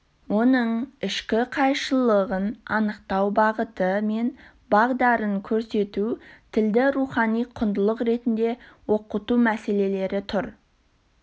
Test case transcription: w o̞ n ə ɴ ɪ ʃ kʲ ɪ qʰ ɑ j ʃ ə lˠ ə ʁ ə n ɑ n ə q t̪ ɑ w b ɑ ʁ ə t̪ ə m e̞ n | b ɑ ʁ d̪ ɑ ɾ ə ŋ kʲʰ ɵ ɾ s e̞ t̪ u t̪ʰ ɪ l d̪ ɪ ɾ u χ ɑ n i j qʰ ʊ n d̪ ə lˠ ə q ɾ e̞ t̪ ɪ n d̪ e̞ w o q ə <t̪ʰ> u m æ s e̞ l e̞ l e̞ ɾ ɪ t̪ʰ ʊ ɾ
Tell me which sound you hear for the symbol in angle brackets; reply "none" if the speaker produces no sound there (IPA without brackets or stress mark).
t̪